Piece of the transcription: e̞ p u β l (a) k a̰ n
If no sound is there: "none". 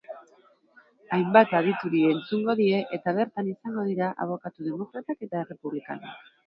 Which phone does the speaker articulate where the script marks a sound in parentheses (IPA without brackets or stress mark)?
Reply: i